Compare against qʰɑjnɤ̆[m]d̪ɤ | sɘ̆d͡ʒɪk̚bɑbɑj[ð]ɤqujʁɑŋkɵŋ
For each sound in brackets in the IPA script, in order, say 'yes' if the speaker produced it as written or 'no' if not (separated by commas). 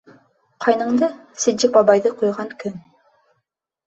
no, yes